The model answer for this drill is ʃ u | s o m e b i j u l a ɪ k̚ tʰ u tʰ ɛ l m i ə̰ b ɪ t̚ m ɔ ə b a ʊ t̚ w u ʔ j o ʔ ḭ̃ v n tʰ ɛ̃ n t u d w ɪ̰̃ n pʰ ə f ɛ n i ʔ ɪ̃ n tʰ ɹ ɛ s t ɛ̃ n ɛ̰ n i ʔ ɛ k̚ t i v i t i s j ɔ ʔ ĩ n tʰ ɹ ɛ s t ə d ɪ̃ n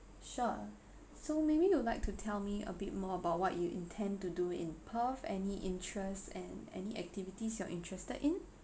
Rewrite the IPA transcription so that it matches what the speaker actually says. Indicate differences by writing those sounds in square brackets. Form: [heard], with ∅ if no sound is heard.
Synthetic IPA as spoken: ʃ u | s o m e b i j u l a ɪ k̚ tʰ u tʰ ɛ l m i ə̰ b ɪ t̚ m ɔ ə b a ʊ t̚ w [ɔ] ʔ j [u] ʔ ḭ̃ [∅] n tʰ ɛ̃ n t u d [u] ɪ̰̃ n pʰ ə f ɛ n i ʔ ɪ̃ n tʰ ɹ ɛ s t ɛ̃ n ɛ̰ n i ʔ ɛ k̚ t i v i t i s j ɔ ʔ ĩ n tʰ ɹ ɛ s t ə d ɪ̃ n